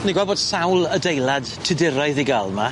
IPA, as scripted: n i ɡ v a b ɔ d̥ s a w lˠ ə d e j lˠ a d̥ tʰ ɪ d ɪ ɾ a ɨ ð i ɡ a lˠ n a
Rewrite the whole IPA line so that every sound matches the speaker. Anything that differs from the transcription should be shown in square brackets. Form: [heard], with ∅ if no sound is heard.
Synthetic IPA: n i ɡ [w] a b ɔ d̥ s a w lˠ ə d e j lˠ a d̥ tʰ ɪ d ɪ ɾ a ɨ ð i ɡ a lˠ [m] a